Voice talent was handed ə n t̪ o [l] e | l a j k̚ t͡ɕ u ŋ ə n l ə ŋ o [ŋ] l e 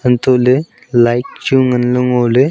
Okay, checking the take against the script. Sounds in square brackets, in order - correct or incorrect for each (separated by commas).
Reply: correct, incorrect